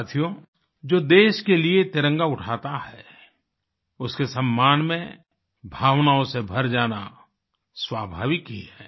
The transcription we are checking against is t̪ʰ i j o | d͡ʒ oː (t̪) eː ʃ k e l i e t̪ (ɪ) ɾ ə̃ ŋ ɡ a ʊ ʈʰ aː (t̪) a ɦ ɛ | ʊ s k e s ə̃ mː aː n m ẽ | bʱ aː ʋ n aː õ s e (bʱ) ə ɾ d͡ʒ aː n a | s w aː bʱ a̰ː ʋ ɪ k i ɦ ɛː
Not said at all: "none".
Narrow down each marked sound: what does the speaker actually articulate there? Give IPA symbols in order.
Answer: d̪, ɪ, t̪, bʱ

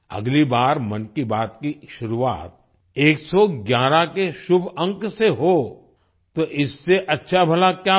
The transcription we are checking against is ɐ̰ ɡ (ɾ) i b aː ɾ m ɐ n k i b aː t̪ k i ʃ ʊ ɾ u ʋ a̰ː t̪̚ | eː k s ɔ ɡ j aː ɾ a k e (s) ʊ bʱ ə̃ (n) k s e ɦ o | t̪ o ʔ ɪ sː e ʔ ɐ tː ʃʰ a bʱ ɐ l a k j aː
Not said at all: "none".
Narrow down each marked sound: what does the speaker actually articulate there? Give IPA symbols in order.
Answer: l, ʃ, ŋ

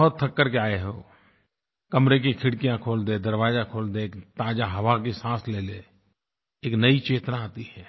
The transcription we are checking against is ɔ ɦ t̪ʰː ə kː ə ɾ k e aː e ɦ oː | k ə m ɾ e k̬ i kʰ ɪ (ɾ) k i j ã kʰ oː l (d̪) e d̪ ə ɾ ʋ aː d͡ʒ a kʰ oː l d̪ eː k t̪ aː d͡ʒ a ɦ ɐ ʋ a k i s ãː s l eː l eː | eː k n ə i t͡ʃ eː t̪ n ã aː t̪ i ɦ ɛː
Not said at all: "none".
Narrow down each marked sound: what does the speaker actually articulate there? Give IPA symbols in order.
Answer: ɽ, d̪

